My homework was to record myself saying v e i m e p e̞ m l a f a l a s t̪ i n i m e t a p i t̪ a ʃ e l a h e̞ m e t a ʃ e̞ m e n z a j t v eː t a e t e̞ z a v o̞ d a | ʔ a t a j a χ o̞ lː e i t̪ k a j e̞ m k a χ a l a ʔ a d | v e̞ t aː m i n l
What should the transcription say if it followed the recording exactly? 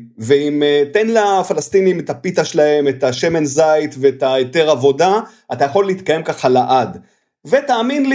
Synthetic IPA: v e i m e t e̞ n l a f a l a s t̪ i n i m e t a p i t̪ a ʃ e l a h e̞ m e t a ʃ e̞ m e n z a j t v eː t a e t e̞ ʁ a v o̞ d a | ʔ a t a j a χ o̞ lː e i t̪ k a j e̞ m k a χ a l a ʔ a d | v e̞ t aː m i n l